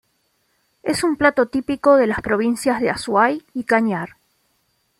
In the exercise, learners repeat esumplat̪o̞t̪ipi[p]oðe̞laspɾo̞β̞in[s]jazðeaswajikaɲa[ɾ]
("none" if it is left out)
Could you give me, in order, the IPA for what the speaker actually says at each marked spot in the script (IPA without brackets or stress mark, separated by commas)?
k, s, ɾ